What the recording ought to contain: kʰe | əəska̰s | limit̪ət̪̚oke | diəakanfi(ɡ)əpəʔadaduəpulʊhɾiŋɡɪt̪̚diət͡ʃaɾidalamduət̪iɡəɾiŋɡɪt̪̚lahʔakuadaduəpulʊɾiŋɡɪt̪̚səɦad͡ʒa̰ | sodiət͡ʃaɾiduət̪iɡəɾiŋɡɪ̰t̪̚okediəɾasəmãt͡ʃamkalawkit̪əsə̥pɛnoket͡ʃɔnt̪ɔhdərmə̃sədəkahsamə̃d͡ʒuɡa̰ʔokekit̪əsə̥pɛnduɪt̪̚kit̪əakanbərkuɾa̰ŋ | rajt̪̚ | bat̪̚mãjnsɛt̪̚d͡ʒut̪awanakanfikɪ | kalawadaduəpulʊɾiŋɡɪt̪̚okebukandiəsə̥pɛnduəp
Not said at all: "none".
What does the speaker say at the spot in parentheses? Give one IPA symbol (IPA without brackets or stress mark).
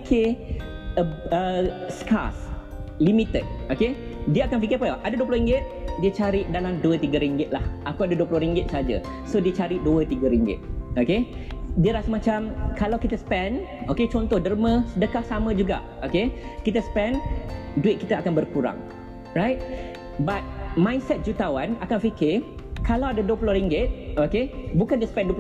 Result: k